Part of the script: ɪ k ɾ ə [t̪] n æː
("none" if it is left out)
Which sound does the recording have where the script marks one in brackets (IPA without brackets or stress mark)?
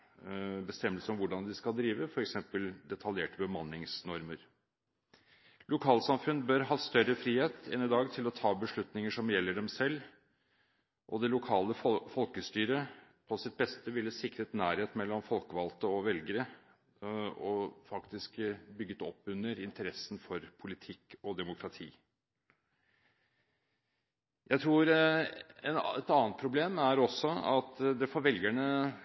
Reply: t̪